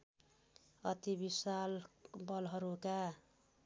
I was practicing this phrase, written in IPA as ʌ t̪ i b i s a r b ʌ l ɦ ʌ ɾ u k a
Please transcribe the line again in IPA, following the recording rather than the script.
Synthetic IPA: ʌ t̪ i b i s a l b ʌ l ɦ ʌ ɾ u k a